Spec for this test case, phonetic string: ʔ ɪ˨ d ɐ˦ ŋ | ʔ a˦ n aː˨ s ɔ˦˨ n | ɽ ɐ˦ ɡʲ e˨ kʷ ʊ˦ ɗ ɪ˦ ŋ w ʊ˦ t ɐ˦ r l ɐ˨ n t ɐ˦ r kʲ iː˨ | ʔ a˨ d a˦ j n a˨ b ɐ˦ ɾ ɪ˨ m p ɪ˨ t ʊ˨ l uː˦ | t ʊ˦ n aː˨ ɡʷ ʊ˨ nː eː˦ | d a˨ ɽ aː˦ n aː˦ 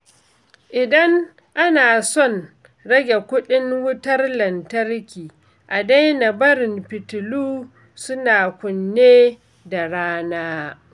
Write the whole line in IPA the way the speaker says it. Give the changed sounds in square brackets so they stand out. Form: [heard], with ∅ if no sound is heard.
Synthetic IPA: ʔ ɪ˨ d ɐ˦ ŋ | ʔ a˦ n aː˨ s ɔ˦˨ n | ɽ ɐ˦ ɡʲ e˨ kʷ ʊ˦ ɗ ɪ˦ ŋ w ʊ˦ t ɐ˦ r l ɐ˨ n t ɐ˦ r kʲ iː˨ | ʔ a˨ d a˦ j n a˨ b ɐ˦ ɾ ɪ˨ m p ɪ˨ t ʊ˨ l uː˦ | [s] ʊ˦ n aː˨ [kʷ] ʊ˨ nː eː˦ | d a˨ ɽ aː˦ n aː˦

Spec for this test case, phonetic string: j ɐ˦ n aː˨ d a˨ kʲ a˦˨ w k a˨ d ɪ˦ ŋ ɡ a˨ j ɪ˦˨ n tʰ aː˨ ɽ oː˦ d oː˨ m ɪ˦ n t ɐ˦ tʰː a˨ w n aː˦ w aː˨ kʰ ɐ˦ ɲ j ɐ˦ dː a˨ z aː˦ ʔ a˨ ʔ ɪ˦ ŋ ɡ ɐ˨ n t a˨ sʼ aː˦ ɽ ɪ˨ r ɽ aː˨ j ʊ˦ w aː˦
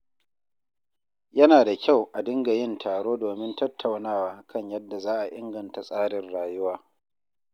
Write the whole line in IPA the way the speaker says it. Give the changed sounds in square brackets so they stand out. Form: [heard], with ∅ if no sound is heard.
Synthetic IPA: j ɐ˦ n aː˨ d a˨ kʲ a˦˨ w [ʔ] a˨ d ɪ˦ ŋ ɡ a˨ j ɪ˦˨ n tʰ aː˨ ɽ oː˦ d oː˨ m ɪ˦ n t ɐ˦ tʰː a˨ w n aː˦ w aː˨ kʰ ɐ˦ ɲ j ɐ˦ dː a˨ z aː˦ ʔ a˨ ʔ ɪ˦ ŋ ɡ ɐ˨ n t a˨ sʼ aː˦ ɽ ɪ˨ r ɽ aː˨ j ʊ˦ w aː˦

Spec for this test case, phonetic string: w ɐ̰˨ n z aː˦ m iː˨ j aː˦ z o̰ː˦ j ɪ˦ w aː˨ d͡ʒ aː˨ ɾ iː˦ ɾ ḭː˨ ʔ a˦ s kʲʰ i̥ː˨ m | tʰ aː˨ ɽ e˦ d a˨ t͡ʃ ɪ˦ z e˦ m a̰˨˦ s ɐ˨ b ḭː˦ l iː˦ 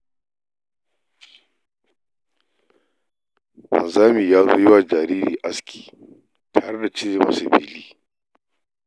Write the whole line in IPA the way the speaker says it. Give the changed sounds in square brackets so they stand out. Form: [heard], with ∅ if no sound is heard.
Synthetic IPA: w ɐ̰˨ n z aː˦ m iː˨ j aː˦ z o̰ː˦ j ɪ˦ w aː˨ d͡ʒ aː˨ ɾ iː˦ ɾ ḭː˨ ʔ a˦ s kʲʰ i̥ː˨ [∅] | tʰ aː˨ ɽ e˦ d a˨ t͡ʃ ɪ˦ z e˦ m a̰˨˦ s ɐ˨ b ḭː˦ l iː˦

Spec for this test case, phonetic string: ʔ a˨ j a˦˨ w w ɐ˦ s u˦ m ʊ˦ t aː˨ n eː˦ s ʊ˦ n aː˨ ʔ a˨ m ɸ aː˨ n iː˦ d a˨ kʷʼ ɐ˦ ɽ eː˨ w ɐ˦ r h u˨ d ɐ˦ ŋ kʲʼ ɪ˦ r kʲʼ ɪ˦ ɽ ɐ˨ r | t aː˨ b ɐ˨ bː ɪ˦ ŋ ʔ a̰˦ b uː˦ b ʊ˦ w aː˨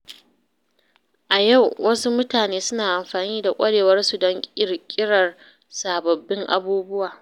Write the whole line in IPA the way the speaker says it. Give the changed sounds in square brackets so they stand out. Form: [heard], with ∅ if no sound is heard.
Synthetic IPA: ʔ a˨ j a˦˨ w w ɐ˦ s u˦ m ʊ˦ t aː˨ n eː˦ s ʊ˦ n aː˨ ʔ a˨ m ɸ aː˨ n iː˦ d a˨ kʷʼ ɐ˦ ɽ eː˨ w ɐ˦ r [s] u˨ d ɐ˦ ŋ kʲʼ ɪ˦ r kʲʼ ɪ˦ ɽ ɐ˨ r | [s] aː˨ b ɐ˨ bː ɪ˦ ŋ ʔ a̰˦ b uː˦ b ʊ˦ w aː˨

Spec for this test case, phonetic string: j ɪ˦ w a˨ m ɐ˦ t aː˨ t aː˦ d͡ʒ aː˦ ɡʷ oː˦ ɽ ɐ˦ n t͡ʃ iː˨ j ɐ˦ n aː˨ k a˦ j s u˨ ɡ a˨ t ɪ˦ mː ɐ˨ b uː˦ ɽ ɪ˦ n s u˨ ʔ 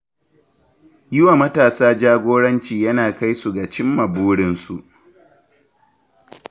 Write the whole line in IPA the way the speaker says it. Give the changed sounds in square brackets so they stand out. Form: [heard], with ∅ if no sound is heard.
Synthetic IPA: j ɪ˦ w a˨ m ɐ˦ t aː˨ [s] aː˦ d͡ʒ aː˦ ɡʷ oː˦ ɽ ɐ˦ n t͡ʃ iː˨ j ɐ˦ n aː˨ k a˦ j s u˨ ɡ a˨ [t͡ʃ] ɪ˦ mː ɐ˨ b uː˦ ɽ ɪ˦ n s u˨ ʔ

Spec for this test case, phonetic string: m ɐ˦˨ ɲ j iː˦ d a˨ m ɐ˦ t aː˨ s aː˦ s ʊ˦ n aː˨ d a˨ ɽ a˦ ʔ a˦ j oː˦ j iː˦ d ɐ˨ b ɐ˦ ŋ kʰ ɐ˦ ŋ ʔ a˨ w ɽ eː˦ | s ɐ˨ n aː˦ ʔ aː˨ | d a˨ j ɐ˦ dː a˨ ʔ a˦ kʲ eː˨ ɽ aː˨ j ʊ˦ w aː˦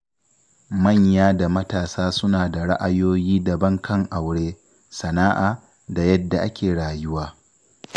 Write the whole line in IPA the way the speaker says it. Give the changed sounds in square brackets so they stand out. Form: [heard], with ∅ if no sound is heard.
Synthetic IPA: m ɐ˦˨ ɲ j [aː˦] d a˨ m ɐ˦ t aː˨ s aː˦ s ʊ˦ n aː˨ d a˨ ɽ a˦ ʔ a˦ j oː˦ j iː˦ d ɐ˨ b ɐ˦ ŋ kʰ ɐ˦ ŋ ʔ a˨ w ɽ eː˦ | s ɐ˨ n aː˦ ʔ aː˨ | d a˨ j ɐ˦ dː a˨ ʔ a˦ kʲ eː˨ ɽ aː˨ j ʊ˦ w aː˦

